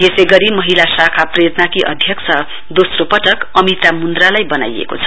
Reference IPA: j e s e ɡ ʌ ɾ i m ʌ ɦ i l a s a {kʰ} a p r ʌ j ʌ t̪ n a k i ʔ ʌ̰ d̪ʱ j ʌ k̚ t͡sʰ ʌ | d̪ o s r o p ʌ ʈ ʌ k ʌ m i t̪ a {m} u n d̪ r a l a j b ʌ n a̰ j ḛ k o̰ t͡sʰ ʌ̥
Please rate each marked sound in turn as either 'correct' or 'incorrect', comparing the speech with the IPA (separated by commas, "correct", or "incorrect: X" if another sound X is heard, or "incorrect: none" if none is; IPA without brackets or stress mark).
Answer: correct, correct